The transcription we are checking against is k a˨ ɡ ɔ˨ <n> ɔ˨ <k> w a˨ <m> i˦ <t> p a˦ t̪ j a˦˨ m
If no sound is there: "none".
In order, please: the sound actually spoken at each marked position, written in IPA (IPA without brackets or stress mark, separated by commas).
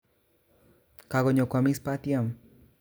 ɲ, k, m, s